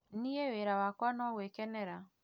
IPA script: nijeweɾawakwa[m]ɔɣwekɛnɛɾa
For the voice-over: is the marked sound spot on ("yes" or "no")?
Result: no